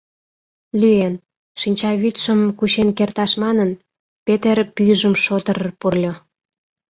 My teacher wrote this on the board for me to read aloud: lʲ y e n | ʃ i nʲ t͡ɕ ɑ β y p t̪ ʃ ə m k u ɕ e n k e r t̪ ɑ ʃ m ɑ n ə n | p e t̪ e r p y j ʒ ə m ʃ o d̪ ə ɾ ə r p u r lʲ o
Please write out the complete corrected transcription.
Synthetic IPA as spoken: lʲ y e n | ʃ i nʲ t͡ɕ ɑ β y t̪ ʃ ə m k u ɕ e n k e r t̪ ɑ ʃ m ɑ n ə n | p e t̪ e r p y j ʒ ə m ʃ o t̪ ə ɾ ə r p u r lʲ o